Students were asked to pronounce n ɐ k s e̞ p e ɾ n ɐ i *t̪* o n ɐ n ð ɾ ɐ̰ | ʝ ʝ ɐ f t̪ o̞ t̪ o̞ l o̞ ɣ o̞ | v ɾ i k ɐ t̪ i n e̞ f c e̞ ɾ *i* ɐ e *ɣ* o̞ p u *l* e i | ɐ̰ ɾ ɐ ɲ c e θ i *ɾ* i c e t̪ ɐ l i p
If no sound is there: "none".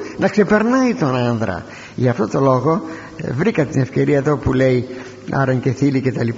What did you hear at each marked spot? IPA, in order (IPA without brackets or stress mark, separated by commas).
t̪, i, ð, l, l